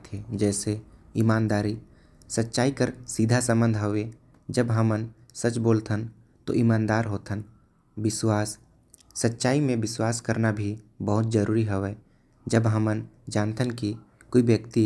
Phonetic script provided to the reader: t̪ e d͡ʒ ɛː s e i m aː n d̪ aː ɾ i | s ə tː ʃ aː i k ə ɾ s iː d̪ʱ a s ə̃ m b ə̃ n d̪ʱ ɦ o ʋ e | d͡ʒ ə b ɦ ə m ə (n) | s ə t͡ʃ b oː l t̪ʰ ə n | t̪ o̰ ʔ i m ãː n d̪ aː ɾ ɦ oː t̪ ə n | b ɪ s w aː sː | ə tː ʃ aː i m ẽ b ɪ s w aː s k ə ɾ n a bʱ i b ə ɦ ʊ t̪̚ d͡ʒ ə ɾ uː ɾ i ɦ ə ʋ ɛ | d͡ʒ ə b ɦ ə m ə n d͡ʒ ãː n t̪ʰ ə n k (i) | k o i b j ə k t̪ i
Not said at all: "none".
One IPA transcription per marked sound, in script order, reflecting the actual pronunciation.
n, i

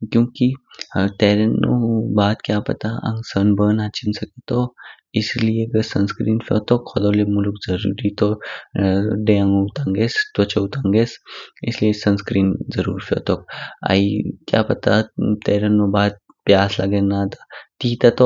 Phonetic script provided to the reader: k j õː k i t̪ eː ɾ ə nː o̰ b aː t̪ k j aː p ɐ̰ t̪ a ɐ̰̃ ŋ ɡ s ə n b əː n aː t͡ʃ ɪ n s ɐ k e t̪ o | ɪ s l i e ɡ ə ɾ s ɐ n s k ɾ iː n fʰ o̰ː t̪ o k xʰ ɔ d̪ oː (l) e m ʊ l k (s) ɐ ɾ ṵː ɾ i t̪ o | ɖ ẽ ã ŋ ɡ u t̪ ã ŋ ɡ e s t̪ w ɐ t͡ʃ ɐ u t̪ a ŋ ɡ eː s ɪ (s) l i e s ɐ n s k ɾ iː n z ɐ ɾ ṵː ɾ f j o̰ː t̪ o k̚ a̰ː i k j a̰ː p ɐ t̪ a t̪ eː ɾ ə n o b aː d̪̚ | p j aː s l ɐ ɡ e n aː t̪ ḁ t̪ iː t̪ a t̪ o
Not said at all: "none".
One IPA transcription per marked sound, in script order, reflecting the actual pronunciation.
l, z, s

